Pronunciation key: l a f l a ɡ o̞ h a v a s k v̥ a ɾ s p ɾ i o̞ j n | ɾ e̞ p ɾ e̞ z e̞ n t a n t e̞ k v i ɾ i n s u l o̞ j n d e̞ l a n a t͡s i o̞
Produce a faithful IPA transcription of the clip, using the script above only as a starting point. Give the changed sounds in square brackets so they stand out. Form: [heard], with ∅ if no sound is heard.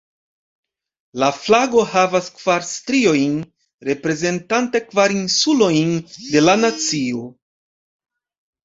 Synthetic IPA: l a f l a ɡ o̞ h a v a s k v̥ a ɾ s [t] ɾ i o̞ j n | ɾ e̞ p ɾ e̞ z e̞ n t a n t e̞ k v [a] ɾ i n s u l o̞ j n d e̞ l a n a t͡s i o̞